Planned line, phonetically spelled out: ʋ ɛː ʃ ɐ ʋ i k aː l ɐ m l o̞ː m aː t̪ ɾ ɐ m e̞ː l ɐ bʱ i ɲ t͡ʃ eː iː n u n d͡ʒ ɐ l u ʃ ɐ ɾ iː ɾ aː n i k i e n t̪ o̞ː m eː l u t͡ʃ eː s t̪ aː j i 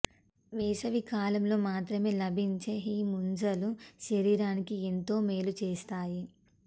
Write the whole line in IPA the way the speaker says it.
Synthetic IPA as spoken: ʋ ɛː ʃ ɐ ʋ i k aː l ɐ m l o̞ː m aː t̪ ɾ ɐ m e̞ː l ɐ bʱ i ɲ t͡ʃ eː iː m u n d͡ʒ ɐ l u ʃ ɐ ɾ iː ɾ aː n i k i e n t̪ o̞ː m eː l u t͡ʃ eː s t̪ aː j i

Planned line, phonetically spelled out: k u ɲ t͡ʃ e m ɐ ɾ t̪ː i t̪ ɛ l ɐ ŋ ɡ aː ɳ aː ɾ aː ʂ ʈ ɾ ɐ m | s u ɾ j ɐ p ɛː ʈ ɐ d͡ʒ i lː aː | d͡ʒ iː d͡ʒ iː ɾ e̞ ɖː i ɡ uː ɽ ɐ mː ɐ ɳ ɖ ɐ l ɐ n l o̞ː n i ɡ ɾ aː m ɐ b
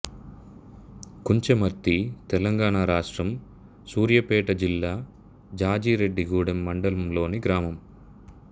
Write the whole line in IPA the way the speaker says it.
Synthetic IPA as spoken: k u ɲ t͡ʃ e m ɐ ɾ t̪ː i t̪ ɛ l ɐ ŋ ɡ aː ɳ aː ɾ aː ʂ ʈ ɾ ɐ m | s uː ɾ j ɐ p ɛː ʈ ɐ d͡ʒ i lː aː | d͡ʒ aː d͡ʒ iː ɾ e̞ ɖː i ɡ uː ɽ ɐ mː ɐ ɳ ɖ ɐ l ɐ m l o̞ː n i ɡ ɾ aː m ɐ m

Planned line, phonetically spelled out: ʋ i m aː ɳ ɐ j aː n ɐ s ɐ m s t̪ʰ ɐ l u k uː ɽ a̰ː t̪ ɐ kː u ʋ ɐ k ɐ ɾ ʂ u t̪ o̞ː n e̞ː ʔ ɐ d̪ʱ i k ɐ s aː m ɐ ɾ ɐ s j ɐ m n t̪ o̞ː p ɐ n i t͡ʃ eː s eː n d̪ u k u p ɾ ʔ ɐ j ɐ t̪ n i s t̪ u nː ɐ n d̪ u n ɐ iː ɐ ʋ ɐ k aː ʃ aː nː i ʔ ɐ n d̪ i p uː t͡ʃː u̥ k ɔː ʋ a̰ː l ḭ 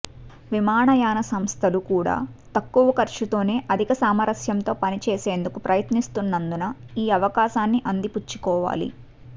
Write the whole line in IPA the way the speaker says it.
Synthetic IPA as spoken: ʋ i m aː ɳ ɐ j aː n ɐ s ɐ m s t̪ʰ ɐ l u k uː ɽ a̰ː t̪ ɐ kː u ʋ ɐ k ɐ ɾ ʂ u t̪ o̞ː n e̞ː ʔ ɐ d̪ʱ i k ɐ s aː m ɐ ɾ ɐ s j ɐ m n t̪ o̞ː p ɐ n i t͡ʃ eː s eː n d̪ u k u p ɾ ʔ ɐ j ɐ t̪ n i s t̪ u nː ɐ n d̪ u n ɐ iː ɐ ʋ ɐ k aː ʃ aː nː i ʔ ɐ n d̪ i p u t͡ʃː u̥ k ɔː ʋ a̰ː l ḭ

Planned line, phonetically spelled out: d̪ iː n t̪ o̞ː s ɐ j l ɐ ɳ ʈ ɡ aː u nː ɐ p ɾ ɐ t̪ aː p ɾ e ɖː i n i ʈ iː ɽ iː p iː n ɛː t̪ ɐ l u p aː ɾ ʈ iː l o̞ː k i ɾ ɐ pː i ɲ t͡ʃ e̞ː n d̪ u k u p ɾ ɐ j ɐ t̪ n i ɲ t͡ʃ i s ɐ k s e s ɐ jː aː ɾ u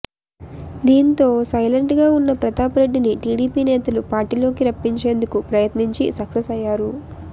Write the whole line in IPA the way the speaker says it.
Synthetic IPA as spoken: d̪ iː n t̪ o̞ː s ɐ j l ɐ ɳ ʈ ɡ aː u nː ɐ p ɾ ɐ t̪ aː p ɾ e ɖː i n i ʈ iː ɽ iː p iː n ɛː t̪ ɐ l u p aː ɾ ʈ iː l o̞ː k i ɾ ɐ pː i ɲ t͡ʃ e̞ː n d̪ u k u p ɾ ɐ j ɐ t̪ n i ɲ t͡ʃ i s ɐ k s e s ɐ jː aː ɾ u

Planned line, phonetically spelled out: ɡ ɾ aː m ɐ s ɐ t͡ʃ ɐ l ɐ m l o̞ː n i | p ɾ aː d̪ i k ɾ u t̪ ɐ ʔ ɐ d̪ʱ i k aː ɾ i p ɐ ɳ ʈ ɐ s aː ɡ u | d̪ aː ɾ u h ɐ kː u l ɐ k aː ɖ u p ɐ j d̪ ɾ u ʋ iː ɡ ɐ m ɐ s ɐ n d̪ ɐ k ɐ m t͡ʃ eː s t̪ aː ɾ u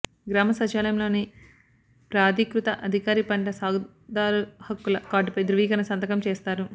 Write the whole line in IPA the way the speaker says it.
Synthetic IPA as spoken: ɡ ɾ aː m ɐ s ɐ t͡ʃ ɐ l ɐ m l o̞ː n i | p ɾ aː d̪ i k ɾ u t̪ ɐ ʔ ɐ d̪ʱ i k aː ɾ i p ɐ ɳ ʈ ɐ s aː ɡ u | d̪ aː ɾ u h ɐ kː u l ɐ k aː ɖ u p ɐ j d̪ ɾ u ʋ iː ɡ ɐ n ɐ s ɐ n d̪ ɐ k ɐ m t͡ʃ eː s t̪ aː ɾ u

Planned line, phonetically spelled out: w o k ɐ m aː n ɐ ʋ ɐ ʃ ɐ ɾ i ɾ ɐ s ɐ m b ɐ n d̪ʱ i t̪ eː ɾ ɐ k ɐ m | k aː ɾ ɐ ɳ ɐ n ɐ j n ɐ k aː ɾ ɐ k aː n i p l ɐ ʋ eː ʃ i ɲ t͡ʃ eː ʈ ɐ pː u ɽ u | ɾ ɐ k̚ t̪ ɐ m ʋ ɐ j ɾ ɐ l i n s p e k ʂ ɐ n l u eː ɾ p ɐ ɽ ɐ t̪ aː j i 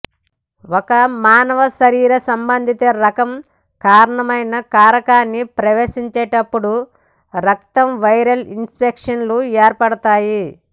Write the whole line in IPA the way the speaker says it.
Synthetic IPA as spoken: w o k ɐ m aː n ɐ ʋ ɐ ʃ ɐ ɾ iː ɾ ɐ s ɐ m b ɐ n d̪ʱ i t̪ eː ɾ ɐ k ɐ m | k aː ɾ ɐ ɳ ɐ m ɐ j n ɐ k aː ɾ ɐ k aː nː i p ɾ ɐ ʋ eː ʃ i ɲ t͡ʃ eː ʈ ɐ pː u ɽ u | ɾ ɐ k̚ t̪ ɐ m ʋ ɐ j ɾ ɐ l i n s p e k ʂ ɐ n l u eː ɾ p ɐ ɽ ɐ t̪ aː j i

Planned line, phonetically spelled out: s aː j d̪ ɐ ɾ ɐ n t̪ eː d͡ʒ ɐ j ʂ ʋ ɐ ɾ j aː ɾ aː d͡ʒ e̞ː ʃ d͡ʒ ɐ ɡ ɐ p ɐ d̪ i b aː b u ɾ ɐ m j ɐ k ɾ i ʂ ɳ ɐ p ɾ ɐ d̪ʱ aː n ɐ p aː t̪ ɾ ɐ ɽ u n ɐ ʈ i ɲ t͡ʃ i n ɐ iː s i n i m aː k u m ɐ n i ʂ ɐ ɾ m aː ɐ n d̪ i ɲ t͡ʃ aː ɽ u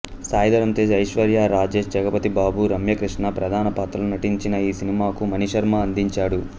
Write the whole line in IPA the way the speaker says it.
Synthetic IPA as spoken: s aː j d̪ ɐ ɾ ɐ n t̪ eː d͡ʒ ɐ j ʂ ʋ ɐ ɾ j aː ɾ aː d͡ʒ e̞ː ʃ d͡ʒ ɐ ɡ ɐ p ɐ t̪ i b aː b u ɾ ɐ m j ɐ k ɾ i ʂ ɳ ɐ p ɾ ɐ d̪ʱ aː n ɐ p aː t̪ ɾ ɐ l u n ɐ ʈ i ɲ t͡ʃ i n ɐ iː s i n i m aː k u m ɐ n i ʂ ɐ ɾ m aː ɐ n d̪ i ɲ t͡ʃ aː ɽ u

